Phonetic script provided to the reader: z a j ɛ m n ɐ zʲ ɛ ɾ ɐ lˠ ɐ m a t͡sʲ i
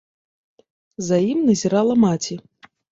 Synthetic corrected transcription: z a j i m n ɐ zʲ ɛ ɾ a lˠ ɐ m a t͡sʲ i